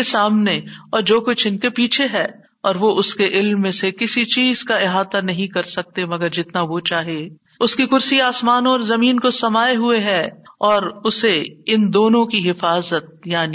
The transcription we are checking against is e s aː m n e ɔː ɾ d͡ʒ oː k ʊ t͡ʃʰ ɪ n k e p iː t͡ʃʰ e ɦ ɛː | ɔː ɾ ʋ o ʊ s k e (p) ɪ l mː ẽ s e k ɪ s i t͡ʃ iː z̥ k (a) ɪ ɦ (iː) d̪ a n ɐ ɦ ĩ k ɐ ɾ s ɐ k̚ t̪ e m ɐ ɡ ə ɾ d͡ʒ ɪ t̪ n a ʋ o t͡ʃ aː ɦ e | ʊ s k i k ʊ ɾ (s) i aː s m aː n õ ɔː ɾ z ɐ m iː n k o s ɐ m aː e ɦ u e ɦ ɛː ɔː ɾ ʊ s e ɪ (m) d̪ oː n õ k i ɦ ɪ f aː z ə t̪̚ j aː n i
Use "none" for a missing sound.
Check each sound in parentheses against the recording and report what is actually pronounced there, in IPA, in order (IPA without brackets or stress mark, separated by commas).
ʔ, a, aː, s, n